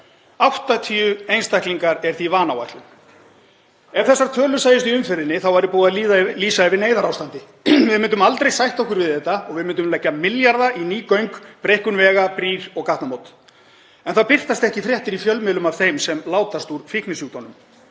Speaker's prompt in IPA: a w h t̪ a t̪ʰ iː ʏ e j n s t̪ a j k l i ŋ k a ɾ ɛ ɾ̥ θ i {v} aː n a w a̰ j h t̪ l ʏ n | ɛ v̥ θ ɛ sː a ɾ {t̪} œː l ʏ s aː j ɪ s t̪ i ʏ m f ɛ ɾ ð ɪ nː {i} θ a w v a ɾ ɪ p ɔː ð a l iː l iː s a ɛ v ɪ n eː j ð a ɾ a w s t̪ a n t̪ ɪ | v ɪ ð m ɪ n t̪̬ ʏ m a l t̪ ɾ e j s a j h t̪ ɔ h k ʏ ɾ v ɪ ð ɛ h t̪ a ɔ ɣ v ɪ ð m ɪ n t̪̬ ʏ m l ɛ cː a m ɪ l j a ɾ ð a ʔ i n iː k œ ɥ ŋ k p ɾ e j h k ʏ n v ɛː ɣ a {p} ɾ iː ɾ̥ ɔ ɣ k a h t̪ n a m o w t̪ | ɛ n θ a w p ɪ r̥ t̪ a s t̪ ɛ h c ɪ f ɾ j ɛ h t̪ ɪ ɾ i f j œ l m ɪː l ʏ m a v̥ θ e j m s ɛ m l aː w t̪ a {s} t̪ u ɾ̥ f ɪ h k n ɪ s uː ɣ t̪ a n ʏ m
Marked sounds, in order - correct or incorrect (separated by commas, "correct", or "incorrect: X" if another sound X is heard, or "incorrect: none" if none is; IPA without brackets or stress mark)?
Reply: correct, incorrect: t̪ʰ, incorrect: ɪ, correct, correct